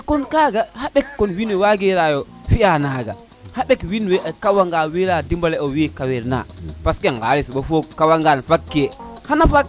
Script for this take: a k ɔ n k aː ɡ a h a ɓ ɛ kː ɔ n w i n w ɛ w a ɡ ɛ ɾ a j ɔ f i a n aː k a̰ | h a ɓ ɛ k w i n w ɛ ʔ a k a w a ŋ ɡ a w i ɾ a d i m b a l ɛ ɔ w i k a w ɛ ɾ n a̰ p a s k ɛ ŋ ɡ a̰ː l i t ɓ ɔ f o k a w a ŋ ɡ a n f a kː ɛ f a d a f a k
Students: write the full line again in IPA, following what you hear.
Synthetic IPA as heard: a k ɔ n k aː ɡ a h a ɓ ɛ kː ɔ n w i n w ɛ w a ɡ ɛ ɾ a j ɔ f i a n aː ɡ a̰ | h a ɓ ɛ k w i n w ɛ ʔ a k a w a ŋ ɡ a w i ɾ a d i m b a l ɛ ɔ w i k a w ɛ ɾ n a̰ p a s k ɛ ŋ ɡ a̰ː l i s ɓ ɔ f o k a w a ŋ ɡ a n f a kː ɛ h a n a f a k